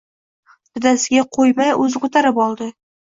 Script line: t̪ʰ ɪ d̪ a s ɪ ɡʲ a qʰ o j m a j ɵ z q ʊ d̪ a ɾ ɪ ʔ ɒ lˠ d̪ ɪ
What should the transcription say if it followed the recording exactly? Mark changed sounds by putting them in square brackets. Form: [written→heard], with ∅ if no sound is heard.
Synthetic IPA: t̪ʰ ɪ d̪ a s ɪ ɡʲ a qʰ o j m a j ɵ z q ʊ [d̪→t̪] a ɾ ɪ [ʔ→p] ɒ lˠ d̪ ɪ